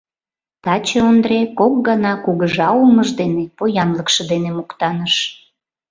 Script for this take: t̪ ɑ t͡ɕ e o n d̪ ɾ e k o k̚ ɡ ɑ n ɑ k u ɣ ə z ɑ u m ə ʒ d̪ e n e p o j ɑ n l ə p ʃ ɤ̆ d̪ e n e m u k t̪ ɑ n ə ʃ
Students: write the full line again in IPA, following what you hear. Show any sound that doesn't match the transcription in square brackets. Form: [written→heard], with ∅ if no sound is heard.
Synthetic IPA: t̪ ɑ t͡ɕ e o n d̪ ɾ e k o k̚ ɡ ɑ n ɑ k u ɣ ə [z→ʒ] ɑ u m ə ʒ d̪ e n e p o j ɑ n l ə [p→k] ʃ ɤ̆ d̪ e n e m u k t̪ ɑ n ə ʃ